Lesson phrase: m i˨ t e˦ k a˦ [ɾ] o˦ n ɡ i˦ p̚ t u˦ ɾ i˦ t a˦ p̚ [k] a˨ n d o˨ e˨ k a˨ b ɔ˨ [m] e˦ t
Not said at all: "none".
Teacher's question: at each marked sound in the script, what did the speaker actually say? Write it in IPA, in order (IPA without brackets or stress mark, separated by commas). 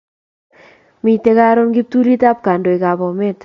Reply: ɾ, k, m